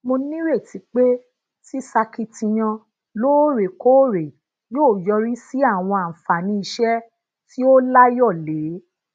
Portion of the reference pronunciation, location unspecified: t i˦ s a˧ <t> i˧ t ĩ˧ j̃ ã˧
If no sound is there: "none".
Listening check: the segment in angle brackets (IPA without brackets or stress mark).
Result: k